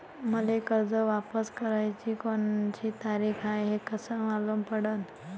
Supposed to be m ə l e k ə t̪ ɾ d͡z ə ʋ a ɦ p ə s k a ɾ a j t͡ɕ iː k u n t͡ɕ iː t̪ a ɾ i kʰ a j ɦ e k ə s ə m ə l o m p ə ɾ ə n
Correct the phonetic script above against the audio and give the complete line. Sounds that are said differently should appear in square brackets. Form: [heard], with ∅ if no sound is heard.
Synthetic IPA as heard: m ə l e k ə [∅] ɾ d͡z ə ʋ a [∅] p ə s k [ə] ɾ a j t͡ɕ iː k [o] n t͡ɕ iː t̪ a ɾ i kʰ a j ɦ e k ə s ə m [a] l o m p ə [ɽ] ə n